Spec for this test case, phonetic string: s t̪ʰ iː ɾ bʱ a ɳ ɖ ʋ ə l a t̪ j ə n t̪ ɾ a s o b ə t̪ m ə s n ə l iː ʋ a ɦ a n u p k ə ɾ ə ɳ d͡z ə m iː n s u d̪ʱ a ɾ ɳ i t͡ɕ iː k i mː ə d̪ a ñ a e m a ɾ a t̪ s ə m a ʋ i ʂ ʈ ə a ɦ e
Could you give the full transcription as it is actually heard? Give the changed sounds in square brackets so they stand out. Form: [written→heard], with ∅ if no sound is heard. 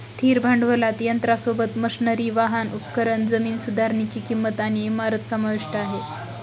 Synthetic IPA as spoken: s t̪ʰ iː ɾ bʱ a ɳ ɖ ʋ ə l a t̪ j ə n t̪ ɾ a s o b ə t̪ m ə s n ə [l→ɾ] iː ʋ a ɦ a n u p k ə ɾ ə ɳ d͡z ə m iː n s u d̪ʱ a ɾ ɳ i t͡ɕ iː k i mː ə [d̪→t̪] a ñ [a→i] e m a ɾ [a→ə] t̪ s ə m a ʋ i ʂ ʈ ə a ɦ e